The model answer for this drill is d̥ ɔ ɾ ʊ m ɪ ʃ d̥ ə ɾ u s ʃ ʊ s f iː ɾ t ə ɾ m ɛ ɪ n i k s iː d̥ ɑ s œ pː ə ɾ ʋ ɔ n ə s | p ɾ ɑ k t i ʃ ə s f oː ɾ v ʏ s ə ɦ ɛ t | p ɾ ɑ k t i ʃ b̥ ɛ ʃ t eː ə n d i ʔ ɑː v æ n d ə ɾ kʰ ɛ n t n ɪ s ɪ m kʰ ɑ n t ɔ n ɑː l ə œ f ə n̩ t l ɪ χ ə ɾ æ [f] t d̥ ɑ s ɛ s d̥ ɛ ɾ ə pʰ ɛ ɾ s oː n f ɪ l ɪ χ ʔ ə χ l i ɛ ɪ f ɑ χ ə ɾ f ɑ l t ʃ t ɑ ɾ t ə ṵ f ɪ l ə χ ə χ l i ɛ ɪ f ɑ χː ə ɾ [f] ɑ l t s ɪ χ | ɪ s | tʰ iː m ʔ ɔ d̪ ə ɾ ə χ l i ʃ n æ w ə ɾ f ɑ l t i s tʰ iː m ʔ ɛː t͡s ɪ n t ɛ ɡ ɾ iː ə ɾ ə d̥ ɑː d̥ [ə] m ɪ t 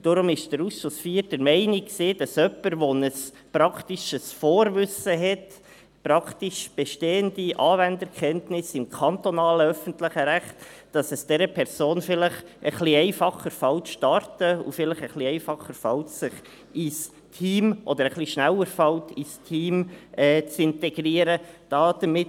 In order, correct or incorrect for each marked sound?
incorrect, correct, correct

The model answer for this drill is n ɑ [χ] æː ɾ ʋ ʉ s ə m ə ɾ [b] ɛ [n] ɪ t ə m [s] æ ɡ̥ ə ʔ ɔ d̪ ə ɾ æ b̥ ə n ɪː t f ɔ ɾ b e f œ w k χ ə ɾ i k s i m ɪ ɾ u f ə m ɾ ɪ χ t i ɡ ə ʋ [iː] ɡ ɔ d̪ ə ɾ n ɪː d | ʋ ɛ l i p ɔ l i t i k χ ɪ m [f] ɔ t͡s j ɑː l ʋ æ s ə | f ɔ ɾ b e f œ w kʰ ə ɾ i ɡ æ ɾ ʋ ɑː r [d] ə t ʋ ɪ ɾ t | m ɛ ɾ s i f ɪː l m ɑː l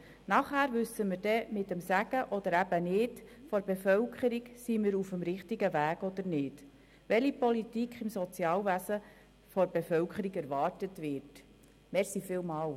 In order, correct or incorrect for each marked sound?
correct, incorrect, incorrect, correct, incorrect, incorrect, incorrect

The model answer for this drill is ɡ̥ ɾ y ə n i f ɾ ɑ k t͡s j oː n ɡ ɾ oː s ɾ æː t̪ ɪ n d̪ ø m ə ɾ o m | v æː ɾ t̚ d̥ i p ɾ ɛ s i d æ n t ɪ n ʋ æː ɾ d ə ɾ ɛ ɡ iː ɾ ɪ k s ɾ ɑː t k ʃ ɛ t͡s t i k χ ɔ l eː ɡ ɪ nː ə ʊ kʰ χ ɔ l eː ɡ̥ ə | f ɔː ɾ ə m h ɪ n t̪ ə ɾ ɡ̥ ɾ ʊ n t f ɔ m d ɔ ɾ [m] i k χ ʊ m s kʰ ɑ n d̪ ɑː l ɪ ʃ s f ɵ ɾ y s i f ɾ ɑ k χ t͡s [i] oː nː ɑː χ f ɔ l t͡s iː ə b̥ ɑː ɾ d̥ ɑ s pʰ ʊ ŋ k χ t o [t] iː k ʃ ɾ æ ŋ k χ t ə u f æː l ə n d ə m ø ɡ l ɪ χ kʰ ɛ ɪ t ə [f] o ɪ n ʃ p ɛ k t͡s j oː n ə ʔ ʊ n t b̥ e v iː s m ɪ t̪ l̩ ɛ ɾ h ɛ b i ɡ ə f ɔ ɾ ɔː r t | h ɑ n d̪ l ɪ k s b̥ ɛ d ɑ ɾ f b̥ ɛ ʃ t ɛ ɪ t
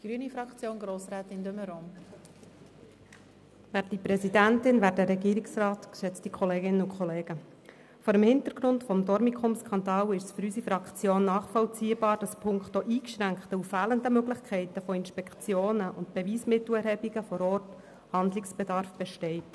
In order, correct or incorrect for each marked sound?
correct, incorrect, incorrect, correct

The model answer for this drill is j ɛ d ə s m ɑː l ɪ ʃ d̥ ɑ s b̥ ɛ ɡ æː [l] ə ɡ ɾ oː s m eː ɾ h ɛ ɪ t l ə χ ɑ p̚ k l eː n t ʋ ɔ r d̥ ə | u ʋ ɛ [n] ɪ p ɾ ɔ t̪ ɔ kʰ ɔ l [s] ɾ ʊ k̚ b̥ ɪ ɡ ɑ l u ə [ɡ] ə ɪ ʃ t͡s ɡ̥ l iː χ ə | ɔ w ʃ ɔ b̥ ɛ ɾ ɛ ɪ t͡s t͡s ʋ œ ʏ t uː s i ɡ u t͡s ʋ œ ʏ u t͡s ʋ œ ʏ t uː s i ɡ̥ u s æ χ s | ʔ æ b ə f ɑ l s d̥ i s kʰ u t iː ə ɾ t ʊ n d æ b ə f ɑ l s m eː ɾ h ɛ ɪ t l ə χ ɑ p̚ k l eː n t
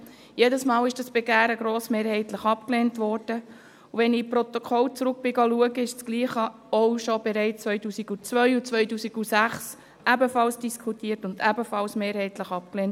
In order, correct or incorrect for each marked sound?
incorrect, correct, incorrect, correct

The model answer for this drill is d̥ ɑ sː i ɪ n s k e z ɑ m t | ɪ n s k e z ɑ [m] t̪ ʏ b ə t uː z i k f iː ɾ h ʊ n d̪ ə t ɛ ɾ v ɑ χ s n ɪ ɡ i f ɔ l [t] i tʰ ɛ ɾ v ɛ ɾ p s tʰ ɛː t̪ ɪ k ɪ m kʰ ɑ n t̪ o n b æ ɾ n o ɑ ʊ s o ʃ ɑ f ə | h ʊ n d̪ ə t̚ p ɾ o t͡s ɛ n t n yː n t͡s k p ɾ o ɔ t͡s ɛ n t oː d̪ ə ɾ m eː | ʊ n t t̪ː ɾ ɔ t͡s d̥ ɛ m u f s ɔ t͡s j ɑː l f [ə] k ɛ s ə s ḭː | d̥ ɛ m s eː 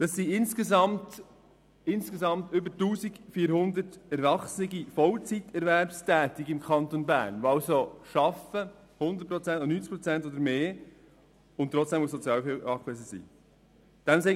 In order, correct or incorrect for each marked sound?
correct, incorrect, incorrect

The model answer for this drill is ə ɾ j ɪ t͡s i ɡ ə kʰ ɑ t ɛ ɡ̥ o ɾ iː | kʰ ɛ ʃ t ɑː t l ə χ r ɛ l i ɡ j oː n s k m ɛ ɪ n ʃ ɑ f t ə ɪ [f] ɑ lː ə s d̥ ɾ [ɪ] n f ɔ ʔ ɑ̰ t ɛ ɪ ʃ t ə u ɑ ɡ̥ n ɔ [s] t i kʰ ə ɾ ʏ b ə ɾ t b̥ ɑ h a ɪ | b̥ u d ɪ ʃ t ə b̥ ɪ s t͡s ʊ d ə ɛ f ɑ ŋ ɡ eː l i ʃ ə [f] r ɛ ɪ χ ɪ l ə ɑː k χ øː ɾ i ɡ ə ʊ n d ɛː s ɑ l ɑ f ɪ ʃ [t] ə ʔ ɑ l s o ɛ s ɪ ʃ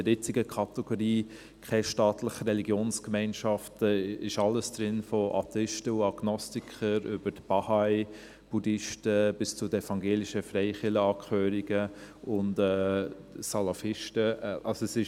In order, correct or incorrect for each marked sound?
incorrect, correct, correct, correct, correct

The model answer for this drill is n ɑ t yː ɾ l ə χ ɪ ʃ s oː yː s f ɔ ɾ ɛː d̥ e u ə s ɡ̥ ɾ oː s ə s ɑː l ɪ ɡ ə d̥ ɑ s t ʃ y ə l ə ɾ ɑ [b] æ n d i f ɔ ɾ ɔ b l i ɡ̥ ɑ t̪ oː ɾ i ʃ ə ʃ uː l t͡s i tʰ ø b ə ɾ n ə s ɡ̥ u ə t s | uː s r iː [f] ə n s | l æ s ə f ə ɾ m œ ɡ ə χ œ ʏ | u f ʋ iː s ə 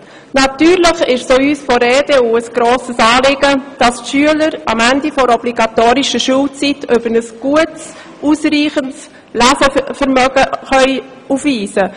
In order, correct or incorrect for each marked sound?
incorrect, incorrect

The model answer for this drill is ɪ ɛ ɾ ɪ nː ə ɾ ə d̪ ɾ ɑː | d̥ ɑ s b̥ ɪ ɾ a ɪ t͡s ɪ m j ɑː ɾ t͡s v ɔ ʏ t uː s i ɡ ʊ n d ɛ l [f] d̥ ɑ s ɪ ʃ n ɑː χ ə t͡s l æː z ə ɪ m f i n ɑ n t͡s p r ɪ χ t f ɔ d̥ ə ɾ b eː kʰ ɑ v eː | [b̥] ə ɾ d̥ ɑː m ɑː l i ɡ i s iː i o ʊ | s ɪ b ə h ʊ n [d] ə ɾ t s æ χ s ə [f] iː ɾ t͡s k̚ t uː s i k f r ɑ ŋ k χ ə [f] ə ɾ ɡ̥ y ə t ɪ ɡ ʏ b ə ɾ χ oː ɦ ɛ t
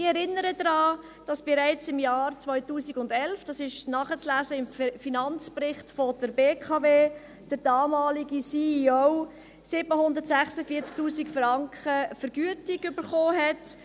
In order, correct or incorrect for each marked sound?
correct, incorrect, correct, correct, correct

